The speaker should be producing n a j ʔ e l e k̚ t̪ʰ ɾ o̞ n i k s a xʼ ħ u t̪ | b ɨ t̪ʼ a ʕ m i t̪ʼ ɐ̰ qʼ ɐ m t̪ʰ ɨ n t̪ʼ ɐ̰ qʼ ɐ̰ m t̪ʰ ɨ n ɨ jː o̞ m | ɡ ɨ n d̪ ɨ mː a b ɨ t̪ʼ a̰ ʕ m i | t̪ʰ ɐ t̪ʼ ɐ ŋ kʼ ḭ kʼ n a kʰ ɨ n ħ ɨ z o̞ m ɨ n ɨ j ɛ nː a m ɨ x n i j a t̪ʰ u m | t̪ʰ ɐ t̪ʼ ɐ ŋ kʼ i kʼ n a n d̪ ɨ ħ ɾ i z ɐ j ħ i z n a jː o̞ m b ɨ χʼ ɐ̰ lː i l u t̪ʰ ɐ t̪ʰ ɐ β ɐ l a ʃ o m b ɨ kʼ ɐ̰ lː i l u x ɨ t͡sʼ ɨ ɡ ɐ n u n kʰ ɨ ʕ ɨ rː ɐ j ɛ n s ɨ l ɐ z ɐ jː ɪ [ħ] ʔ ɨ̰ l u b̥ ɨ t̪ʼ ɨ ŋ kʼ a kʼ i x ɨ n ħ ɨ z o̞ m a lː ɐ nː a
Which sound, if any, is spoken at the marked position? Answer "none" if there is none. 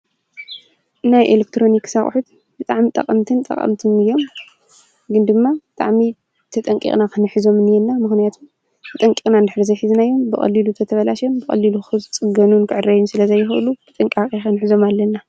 x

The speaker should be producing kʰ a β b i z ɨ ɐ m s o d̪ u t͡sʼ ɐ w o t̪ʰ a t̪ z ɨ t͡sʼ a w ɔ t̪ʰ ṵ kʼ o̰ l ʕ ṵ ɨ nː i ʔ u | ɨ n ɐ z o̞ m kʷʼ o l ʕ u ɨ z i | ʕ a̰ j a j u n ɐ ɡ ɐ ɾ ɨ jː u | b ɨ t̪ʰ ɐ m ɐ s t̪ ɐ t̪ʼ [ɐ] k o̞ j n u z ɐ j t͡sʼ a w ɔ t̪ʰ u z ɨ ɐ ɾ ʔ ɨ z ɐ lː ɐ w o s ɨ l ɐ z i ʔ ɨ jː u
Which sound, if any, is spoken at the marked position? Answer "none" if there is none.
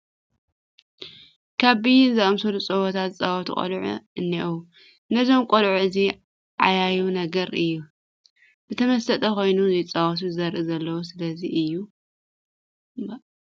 ɐ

